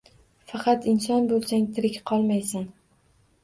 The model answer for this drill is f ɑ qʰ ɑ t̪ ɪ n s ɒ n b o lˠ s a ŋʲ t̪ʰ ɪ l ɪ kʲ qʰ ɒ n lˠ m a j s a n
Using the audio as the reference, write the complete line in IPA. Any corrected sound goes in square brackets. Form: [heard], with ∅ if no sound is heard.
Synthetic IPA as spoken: f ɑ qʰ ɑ t̪ ɪ n s ɒ n b o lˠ s a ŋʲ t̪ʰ ɪ [ɾ] ɪ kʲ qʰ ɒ [∅] lˠ m a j s a n